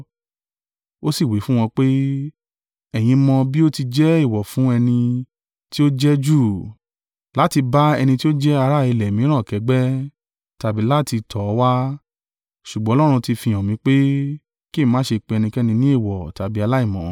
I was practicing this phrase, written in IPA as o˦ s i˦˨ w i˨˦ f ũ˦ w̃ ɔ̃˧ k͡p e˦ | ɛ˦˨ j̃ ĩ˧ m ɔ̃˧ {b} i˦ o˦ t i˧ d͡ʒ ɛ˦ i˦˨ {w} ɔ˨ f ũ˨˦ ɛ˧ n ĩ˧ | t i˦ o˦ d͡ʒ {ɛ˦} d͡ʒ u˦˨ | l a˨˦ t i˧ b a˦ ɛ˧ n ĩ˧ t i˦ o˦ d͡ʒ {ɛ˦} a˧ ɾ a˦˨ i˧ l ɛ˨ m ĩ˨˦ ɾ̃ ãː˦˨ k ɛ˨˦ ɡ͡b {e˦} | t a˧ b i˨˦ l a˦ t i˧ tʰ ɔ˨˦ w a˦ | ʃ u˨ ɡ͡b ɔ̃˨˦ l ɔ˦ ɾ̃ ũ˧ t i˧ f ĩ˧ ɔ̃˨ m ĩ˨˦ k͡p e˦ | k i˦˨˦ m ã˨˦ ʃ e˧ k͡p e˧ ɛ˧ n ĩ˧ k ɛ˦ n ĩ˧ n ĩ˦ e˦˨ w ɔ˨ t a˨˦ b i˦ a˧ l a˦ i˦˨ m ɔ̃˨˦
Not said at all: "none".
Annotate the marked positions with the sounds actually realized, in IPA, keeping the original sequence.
b, w, ɛ˦, ɛ˦, ɛ˦

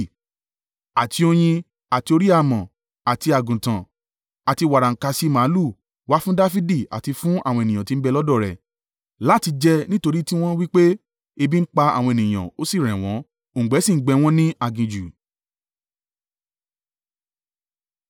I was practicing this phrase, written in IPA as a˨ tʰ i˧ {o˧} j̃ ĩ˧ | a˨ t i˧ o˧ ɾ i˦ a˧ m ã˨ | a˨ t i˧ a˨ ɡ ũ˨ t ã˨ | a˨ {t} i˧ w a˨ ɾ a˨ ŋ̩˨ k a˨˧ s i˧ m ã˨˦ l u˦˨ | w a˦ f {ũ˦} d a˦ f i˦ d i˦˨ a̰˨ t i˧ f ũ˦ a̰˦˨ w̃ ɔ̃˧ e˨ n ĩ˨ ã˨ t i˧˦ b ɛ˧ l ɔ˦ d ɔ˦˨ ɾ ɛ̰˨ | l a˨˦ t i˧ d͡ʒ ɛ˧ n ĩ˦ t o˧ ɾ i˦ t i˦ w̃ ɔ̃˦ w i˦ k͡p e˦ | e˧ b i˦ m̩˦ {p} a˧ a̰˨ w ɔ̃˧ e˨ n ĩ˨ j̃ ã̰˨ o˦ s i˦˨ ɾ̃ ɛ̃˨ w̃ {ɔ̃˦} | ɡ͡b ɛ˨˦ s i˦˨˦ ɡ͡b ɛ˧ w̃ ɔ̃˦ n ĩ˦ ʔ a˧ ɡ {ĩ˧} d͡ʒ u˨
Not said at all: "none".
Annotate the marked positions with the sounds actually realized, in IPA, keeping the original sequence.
o˧, t, ũ˦, k͡p, ɔ̃˨˦˨, ĩ˧

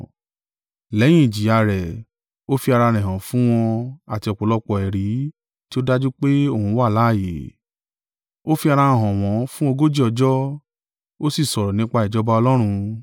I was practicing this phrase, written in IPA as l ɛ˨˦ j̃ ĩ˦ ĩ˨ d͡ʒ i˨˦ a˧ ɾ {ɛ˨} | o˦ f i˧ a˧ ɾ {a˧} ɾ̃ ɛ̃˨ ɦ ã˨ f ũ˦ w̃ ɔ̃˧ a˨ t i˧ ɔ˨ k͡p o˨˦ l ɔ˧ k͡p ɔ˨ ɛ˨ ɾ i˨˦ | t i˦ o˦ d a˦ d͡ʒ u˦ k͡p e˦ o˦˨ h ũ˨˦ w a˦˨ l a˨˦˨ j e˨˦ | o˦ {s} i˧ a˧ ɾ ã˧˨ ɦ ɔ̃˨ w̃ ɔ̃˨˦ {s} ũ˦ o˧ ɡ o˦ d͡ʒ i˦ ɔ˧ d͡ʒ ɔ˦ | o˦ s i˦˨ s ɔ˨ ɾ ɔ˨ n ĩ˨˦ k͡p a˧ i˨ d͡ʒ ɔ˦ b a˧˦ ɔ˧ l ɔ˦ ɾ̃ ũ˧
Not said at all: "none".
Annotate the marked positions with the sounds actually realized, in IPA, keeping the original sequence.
ɛ˨, a˧, f, f

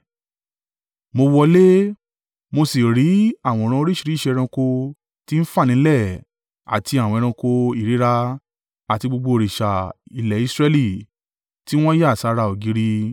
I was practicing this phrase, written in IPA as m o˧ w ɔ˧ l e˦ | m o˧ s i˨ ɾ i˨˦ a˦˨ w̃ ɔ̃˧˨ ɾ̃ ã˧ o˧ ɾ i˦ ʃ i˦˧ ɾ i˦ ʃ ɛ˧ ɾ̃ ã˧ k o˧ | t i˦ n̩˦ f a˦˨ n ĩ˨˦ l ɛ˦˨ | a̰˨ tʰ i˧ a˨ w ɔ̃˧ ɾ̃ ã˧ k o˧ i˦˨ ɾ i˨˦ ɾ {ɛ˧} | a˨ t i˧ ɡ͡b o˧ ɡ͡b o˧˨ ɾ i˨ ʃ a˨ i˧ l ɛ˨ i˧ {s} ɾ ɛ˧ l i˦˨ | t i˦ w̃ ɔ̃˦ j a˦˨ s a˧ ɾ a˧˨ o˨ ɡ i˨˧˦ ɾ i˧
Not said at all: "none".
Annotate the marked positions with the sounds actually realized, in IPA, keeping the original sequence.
a˧, s

